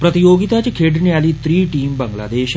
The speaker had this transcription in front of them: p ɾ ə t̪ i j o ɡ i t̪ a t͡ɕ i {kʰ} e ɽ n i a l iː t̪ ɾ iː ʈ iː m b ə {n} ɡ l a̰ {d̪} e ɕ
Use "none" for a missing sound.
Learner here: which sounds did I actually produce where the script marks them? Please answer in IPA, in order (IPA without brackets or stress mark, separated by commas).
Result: kʰ, ŋ, d̪